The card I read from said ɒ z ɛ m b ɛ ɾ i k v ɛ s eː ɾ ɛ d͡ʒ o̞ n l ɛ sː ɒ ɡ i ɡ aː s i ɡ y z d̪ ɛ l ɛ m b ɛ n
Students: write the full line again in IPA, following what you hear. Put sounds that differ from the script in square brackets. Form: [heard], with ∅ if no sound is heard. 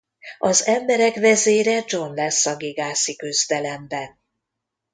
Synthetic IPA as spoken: ɒ z ɛ m b ɛ ɾ [ɛ] k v ɛ [z] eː ɾ ɛ d͡ʒ o̞ n l ɛ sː ɒ ɡ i ɡ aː s i [k] y z d̪ ɛ l ɛ m b ɛ n